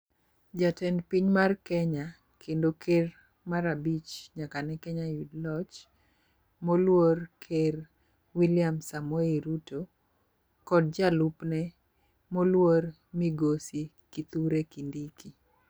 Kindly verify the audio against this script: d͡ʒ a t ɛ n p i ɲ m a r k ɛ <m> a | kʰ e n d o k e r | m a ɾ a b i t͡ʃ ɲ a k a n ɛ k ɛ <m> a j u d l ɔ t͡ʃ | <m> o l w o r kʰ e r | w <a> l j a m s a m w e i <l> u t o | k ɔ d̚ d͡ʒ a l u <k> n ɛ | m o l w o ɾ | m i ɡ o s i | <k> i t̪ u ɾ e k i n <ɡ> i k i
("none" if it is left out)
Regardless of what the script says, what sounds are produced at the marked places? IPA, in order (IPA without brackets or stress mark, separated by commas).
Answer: ɲ, ɲ, m, i, ɾ, p, k, d